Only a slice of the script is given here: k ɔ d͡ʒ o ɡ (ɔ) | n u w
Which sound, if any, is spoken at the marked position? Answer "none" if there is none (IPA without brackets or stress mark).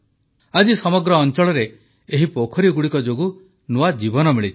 u